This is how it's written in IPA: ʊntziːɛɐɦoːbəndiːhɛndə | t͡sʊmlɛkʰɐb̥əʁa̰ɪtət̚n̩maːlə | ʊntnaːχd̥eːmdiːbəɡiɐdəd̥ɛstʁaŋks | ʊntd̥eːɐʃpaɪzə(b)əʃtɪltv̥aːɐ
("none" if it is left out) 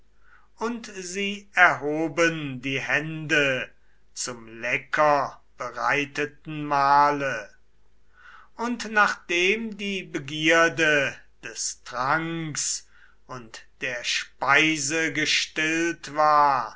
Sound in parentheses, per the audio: ɡ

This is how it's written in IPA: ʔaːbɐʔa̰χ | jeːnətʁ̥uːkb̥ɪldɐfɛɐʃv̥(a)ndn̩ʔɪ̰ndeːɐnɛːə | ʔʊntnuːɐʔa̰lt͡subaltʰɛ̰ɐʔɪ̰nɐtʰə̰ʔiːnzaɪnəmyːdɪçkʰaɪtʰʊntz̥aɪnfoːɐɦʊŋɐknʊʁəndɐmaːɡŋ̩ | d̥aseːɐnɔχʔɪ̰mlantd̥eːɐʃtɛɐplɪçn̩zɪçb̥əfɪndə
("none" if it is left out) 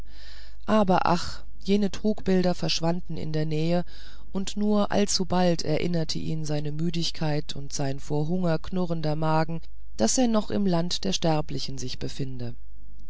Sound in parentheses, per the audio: a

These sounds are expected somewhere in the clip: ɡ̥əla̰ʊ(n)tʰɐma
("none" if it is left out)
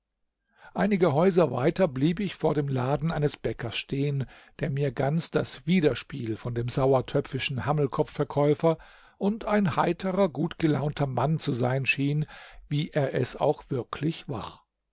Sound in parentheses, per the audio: n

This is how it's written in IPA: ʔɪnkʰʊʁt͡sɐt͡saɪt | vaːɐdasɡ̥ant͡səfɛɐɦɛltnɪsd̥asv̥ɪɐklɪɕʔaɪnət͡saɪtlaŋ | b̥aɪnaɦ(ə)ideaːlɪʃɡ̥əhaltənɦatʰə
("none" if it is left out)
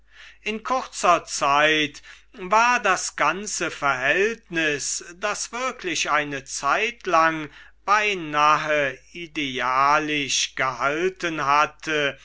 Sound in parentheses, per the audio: ə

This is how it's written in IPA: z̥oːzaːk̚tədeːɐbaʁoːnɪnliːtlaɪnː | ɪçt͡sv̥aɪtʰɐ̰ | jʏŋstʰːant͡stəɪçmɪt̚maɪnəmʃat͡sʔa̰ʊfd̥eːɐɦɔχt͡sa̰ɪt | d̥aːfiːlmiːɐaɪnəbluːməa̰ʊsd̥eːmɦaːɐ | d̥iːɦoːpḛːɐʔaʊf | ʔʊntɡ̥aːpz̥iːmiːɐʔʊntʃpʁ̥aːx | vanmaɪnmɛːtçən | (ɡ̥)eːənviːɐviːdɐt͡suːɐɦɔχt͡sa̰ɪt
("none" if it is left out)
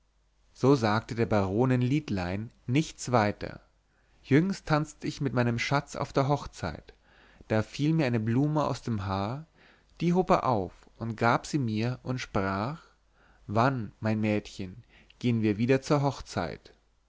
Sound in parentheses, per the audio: ɡ̥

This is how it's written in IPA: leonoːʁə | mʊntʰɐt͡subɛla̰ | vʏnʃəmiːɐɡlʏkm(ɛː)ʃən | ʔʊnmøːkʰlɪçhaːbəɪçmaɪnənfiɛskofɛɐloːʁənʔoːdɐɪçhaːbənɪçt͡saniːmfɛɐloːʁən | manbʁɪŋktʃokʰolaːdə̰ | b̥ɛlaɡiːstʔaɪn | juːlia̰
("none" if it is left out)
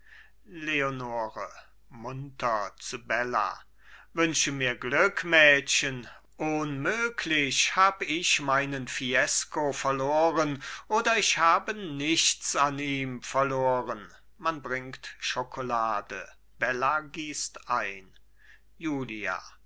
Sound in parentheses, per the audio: ɛː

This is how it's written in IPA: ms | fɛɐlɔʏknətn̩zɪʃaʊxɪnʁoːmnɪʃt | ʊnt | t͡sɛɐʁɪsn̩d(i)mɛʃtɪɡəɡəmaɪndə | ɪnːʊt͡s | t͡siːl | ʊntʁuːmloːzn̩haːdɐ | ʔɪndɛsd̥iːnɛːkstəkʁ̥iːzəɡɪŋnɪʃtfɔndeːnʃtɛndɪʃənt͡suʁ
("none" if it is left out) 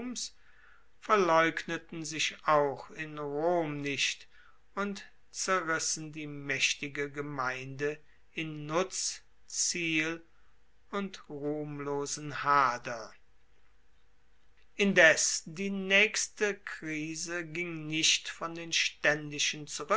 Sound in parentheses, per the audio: iː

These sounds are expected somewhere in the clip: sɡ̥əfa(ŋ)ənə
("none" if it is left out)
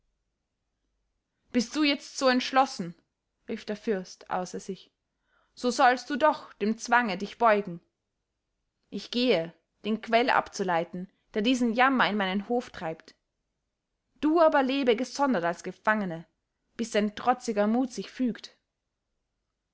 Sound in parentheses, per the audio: ŋ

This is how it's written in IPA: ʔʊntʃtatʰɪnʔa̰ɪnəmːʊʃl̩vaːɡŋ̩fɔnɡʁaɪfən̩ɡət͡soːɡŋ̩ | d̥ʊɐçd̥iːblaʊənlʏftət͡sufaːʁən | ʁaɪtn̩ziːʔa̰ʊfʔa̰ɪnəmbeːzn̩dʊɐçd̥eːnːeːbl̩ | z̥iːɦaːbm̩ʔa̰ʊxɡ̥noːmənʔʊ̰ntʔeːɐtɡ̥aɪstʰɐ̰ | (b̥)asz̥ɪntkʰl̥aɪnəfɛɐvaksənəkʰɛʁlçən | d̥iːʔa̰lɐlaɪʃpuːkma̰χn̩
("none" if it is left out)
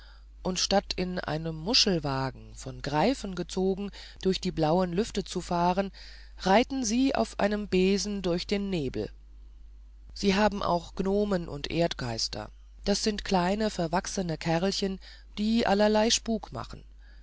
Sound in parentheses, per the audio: d̥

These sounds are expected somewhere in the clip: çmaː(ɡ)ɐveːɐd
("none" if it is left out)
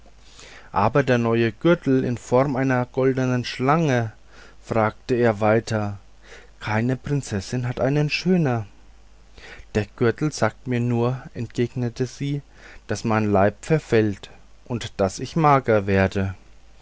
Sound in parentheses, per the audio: ɡ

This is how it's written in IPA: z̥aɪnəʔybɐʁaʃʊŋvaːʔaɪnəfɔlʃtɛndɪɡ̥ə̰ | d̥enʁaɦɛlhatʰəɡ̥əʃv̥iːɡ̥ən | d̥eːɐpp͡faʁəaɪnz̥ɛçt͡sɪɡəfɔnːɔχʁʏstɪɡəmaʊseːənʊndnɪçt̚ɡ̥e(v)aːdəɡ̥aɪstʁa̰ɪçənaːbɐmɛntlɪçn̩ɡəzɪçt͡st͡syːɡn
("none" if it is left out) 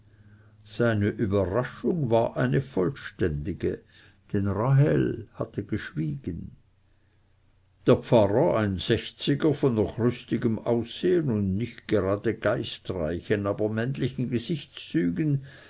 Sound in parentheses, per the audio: ʁ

